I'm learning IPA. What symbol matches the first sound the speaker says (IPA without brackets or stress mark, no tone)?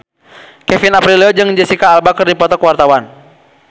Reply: k